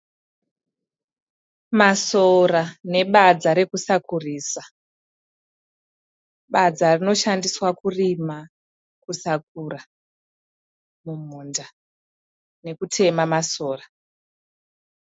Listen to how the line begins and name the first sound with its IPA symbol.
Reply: m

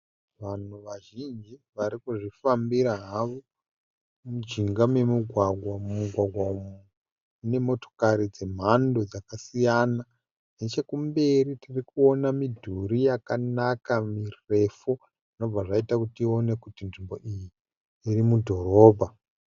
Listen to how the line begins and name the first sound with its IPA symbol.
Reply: ʋ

